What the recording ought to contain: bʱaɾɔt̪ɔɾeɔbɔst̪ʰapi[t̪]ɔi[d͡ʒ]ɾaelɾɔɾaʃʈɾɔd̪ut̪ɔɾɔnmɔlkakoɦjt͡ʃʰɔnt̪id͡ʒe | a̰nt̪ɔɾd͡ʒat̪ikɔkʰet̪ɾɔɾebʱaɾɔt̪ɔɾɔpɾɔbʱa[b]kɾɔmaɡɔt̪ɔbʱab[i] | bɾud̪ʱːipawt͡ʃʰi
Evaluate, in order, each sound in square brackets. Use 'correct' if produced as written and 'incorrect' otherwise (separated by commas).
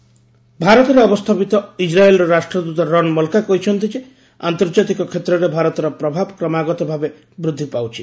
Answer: correct, correct, correct, incorrect